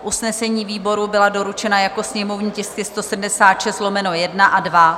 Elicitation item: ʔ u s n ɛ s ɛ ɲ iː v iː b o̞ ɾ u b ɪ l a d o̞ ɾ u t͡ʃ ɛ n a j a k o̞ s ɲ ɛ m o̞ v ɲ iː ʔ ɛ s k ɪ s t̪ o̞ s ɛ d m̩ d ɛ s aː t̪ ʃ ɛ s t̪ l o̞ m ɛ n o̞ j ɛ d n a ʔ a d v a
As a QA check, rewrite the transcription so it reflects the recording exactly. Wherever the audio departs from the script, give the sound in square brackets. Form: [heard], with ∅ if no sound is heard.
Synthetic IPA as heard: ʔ u s n ɛ s ɛ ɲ iː v iː b o̞ ɾ u b ɪ l a d o̞ ɾ u t͡ʃ ɛ n a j a k o̞ s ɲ ɛ m o̞ v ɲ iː [c] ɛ s k ɪ s t̪ o̞ s ɛ d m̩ d ɛ s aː t̪ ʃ ɛ s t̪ l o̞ m ɛ n o̞ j ɛ d n a ʔ a d v a